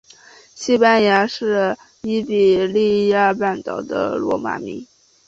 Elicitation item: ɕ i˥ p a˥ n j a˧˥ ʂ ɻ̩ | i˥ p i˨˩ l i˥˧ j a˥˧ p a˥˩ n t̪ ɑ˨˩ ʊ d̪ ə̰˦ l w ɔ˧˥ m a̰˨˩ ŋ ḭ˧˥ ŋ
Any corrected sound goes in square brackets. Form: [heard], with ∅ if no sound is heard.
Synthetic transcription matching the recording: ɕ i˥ p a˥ n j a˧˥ ʂ ɻ̩ | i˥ p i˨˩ l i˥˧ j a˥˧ p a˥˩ n t̪ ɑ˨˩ ʊ d̪ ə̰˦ l w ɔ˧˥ m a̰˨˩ [m] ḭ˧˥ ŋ

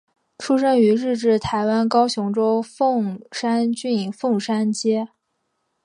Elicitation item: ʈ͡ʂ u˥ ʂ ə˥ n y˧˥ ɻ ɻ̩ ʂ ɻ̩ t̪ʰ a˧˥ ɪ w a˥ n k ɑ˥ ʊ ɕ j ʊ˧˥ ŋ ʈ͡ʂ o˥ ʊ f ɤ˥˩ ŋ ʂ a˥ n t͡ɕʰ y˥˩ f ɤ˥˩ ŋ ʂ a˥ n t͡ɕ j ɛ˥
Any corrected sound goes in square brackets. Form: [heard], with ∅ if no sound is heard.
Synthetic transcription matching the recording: [ʈ͡ʂʰ] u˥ ʂ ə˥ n y˧˥ ɻ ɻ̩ [ʈ͡ʂ] ɻ̩ t̪ʰ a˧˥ ɪ w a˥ n k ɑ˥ ʊ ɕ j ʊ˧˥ ŋ ʈ͡ʂ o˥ ʊ f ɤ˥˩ ŋ ʂ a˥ n [t͡ɕ] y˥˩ f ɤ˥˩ ŋ ʂ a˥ n t͡ɕ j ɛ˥

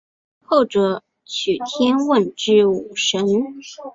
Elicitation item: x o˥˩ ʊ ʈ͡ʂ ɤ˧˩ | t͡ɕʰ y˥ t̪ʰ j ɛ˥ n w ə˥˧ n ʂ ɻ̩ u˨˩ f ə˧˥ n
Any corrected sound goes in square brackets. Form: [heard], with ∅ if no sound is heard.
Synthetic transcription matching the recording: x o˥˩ ʊ ʈ͡ʂ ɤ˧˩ | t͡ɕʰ [y˨˩] t̪ʰ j ɛ˥ n w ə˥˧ n [ʈ͡ʂ] ɻ̩ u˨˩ [ʂ] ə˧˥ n

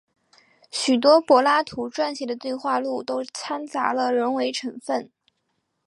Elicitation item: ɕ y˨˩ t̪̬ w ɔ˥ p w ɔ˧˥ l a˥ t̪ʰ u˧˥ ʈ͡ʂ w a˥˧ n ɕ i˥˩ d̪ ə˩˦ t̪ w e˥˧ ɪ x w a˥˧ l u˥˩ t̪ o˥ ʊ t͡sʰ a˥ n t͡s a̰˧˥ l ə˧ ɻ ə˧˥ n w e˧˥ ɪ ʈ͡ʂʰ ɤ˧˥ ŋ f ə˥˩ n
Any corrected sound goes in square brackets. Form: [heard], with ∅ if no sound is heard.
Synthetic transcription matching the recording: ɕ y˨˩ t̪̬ w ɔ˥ p w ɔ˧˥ l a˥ t̪ʰ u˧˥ ʈ͡ʂ w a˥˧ n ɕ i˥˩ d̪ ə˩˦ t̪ w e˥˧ ɪ x w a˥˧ l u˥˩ t̪ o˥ ʊ t͡sʰ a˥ n t͡s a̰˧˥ l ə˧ ɻ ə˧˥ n w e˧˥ ɪ ʈ͡ʂʰ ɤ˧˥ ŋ f ə˥˩ n

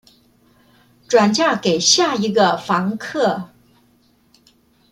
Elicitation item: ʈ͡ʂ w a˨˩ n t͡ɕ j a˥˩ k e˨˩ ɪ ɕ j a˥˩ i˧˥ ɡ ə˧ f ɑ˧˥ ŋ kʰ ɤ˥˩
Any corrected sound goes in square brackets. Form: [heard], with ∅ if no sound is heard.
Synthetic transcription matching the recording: ʈ͡ʂ w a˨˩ n t͡ɕ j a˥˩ k e˨˩ ɪ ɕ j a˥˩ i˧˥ ɡ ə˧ f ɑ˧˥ ŋ kʰ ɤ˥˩

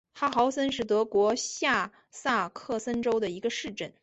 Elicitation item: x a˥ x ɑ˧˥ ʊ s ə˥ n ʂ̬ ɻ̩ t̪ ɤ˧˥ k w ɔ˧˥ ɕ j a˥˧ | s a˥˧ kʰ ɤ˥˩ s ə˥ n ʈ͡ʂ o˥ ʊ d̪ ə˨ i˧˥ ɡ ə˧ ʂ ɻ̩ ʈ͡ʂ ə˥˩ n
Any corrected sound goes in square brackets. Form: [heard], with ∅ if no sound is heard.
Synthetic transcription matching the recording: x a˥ x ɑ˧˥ ʊ s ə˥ n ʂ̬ ɻ̩ t̪ ɤ˧˥ k w ɔ˧˥ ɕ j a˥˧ | s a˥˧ kʰ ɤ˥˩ s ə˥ n ʈ͡ʂ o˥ ʊ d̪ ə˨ i˧˥ ɡ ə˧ ʂ ɻ̩ ʈ͡ʂ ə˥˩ n

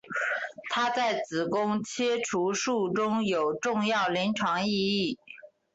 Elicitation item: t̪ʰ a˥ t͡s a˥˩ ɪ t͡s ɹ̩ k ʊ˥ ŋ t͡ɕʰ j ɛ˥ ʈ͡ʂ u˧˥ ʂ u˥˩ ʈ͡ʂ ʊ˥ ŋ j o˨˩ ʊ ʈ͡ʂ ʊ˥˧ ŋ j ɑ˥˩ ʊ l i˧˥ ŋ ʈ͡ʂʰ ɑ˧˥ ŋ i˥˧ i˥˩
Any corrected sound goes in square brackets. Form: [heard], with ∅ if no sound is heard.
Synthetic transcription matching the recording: t̪ʰ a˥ t͡s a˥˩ ɪ t͡s ɹ̩ k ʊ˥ ŋ t͡ɕʰ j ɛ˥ [ʈ͡ʂʰ] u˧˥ ʂ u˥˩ ʈ͡ʂ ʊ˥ ŋ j o˨˩ ʊ ʈ͡ʂ ʊ˥˧ ŋ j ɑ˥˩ ʊ l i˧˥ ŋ ʈ͡ʂʰ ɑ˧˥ ŋ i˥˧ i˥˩

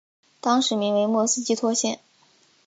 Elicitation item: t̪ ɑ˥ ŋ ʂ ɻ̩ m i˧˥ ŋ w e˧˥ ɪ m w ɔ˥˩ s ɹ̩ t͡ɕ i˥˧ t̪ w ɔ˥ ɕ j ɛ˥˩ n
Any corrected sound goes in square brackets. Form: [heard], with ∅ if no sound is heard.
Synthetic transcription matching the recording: t̪ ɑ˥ ŋ ʂ ɻ̩ m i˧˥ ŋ w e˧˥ ɪ m w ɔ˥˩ s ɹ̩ t͡ɕ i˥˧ [t̪ʰ] w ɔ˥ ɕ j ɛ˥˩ n

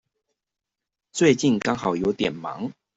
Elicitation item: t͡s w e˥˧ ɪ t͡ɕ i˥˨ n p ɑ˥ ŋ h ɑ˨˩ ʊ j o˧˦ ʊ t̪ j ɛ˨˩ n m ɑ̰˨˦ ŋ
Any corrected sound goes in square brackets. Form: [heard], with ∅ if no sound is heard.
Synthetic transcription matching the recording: t͡s w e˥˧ ɪ t͡ɕ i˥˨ n [k] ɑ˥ ŋ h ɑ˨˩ ʊ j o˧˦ ʊ t̪ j ɛ˨˩ n m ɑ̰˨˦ ŋ

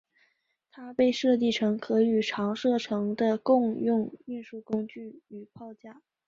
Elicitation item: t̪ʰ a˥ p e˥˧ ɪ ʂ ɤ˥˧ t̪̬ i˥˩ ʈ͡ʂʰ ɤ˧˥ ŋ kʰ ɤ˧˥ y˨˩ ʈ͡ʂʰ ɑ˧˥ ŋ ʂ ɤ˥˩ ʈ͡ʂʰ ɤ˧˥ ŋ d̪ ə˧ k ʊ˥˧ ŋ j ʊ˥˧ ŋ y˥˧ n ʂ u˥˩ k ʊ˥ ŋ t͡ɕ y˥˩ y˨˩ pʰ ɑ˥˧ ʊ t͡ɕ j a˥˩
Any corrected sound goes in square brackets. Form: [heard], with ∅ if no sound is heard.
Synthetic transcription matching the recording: t̪ʰ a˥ p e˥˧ ɪ ʂ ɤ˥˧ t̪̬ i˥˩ ʈ͡ʂʰ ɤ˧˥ ŋ kʰ ɤ˧˥ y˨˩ ʈ͡ʂʰ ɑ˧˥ ŋ ʂ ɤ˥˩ ʈ͡ʂʰ ɤ˧˥ ŋ d̪ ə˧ k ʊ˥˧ ŋ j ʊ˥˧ ŋ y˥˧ n ʂ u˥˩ k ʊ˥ ŋ t͡ɕ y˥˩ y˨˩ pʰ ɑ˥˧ ʊ t͡ɕ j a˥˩

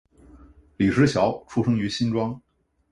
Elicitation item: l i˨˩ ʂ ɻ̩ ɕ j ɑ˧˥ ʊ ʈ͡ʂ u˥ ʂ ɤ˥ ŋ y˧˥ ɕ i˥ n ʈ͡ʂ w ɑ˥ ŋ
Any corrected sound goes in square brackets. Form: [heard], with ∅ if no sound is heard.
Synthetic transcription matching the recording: l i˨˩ ʂ ɻ̩ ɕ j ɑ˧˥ ʊ [ʈ͡ʂʰ] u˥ ʂ ɤ˥ ŋ y˧˥ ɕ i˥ n ʈ͡ʂ w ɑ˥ ŋ

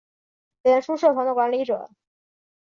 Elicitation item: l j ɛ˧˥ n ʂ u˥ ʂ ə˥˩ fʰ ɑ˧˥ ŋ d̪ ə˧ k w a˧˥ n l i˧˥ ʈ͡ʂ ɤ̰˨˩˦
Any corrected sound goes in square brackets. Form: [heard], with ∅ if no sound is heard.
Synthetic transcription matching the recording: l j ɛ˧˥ n ʂ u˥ ʂ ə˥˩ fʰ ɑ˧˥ ŋ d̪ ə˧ k w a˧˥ n l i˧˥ ʈ͡ʂ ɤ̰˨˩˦

